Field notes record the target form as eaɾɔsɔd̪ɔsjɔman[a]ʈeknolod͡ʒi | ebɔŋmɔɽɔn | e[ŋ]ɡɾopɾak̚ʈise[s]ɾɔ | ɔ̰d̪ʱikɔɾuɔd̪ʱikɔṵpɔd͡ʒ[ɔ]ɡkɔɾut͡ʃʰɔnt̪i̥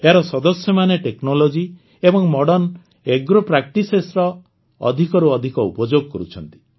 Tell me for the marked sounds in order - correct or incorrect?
incorrect: e, incorrect: none, correct, incorrect: o

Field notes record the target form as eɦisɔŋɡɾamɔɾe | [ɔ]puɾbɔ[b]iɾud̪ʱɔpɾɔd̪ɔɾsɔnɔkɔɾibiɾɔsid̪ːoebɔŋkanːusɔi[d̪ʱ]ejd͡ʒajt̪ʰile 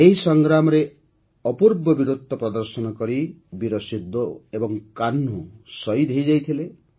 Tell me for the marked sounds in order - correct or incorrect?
correct, correct, correct

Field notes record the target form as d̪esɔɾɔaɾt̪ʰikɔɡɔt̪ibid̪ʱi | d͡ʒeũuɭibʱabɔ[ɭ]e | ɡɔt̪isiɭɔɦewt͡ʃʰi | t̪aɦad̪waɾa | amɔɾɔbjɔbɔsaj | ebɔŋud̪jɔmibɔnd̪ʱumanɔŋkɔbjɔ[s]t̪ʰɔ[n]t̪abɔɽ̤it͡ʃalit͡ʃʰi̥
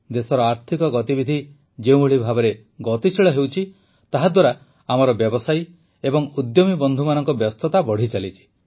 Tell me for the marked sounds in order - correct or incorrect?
incorrect: ɾ, correct, incorrect: none

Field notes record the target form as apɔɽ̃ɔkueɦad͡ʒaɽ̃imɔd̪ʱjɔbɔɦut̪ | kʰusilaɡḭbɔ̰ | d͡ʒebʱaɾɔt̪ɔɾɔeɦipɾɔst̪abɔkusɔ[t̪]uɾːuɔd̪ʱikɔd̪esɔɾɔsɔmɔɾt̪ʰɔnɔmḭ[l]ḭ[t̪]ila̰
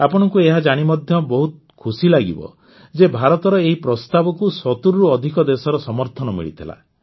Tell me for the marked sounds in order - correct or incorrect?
correct, incorrect: ɭ, incorrect: t̪ʰ

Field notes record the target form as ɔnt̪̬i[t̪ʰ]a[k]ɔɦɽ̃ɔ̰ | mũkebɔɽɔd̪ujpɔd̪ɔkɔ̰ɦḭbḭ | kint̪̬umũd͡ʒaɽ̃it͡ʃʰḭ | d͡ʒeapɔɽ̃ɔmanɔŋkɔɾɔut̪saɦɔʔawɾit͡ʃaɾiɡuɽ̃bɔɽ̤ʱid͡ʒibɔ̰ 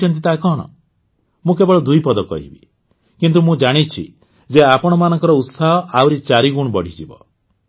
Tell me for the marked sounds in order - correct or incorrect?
incorrect: t̪, correct

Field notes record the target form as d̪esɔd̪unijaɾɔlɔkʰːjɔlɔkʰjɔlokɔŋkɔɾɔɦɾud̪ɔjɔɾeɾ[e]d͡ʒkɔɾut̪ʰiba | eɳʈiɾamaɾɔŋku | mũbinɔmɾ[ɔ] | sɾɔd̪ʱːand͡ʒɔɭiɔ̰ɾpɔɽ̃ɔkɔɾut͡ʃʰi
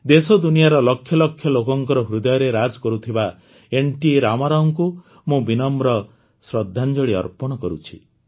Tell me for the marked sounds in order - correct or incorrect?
incorrect: a, correct

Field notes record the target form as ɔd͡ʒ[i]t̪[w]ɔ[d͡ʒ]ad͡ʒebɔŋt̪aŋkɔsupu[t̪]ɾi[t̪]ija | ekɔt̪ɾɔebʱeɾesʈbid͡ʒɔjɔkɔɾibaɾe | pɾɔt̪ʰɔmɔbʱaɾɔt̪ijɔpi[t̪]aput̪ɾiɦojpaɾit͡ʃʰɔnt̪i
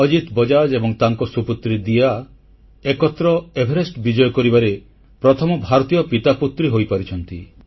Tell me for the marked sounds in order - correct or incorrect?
correct, incorrect: b, correct, correct, incorrect: d̪, correct

